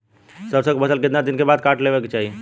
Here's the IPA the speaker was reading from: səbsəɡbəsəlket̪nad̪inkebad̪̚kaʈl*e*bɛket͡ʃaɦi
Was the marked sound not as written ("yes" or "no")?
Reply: no